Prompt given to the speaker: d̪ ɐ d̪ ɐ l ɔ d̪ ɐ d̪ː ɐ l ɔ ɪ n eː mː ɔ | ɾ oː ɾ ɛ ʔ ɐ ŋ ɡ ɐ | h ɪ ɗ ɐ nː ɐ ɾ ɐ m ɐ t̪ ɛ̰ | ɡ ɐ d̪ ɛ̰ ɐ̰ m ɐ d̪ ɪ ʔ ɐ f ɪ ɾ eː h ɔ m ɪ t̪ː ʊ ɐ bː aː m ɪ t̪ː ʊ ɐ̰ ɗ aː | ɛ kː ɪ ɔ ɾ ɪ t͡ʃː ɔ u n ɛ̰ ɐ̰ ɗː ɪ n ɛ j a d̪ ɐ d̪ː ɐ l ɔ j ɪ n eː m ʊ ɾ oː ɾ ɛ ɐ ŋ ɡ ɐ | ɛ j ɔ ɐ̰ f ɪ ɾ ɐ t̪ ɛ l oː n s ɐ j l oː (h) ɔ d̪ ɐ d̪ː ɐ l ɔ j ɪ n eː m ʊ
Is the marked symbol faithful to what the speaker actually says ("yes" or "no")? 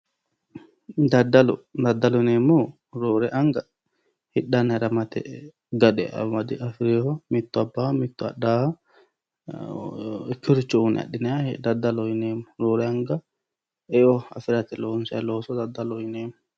no